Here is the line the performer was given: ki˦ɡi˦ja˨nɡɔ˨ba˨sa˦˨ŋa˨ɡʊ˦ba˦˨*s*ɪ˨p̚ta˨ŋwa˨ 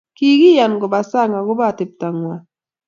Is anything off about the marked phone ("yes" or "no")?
yes